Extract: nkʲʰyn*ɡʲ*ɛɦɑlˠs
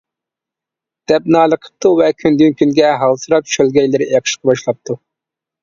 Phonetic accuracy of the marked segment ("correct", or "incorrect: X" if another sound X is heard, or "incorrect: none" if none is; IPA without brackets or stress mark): correct